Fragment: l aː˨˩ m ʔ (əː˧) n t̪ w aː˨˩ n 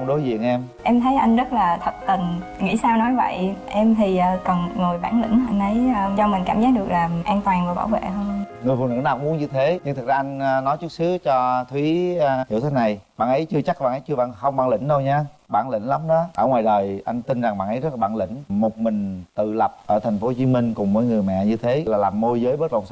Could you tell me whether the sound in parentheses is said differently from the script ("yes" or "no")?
yes